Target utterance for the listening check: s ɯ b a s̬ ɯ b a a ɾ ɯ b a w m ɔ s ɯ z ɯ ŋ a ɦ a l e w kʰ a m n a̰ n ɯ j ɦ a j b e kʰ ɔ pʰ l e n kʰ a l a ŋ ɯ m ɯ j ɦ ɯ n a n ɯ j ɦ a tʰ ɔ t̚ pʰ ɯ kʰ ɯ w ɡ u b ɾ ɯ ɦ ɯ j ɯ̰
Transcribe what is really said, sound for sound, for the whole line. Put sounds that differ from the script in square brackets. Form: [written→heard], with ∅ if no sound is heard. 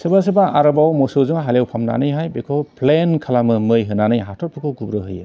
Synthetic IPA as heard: s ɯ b a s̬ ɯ b a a ɾ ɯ b a w m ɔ s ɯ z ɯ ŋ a ɦ a l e w [kʰ→pʰ] a m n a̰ n ɯ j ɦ a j b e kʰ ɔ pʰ l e n kʰ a l a [ŋ→m] ɯ m ɯ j ɦ ɯ n a n ɯ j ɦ a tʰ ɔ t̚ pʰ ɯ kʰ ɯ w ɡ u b ɾ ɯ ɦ ɯ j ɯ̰